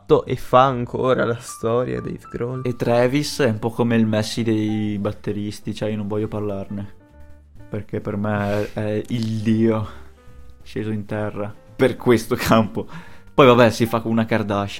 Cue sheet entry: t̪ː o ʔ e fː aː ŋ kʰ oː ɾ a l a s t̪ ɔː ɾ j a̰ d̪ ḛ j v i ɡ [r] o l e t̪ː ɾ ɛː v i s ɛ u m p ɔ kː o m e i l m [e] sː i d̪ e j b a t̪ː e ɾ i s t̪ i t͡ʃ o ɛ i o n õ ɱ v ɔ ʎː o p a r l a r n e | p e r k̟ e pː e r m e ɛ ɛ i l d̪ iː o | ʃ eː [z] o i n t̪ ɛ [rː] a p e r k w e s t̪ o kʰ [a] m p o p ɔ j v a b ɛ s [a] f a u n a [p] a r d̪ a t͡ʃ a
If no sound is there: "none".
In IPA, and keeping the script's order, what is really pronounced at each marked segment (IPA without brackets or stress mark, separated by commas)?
ɾ, ɛ, z, rː, a, i, k